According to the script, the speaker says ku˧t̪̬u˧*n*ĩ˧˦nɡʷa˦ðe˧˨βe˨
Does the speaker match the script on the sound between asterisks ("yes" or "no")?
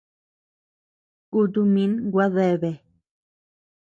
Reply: no